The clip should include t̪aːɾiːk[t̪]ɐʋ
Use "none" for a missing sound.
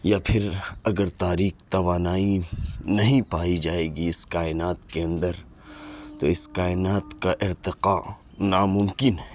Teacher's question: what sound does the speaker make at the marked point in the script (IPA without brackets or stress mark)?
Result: t̪